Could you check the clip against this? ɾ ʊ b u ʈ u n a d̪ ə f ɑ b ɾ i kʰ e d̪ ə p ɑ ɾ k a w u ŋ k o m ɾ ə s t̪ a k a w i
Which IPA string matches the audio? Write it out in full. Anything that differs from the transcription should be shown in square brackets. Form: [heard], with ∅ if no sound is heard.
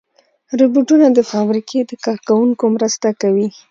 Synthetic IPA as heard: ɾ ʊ b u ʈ u n a d̪ ə f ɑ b ɾ i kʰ e d̪ ə [k] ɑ ɾ k a w u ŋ k o m ɾ ə s t̪ a k a w i